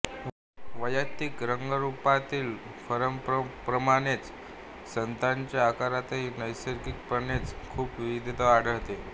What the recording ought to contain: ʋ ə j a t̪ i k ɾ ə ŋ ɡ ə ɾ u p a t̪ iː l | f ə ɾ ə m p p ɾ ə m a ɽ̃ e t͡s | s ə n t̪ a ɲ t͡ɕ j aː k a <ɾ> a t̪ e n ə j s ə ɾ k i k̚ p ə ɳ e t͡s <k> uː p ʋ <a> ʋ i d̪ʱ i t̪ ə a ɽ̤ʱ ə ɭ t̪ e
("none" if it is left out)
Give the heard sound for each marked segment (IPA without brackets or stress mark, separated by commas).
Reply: ɾ, kʰ, i